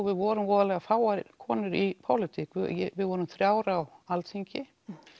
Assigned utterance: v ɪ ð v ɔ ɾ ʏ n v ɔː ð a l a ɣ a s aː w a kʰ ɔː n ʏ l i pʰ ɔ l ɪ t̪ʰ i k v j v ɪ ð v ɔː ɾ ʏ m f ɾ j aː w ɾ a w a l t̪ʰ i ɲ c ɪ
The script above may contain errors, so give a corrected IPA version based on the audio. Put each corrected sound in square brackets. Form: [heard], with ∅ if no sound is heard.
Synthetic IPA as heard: v ɪ ð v ɔ ɾ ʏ [m] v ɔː ð a l [ɛ] ɣ a [f] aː w a kʰ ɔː n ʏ [ɾ] i pʰ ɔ l ɪ t̪ʰ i k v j v ɪ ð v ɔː ɾ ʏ m [θ] ɾ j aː w ɾ a w a l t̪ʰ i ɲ c ɪ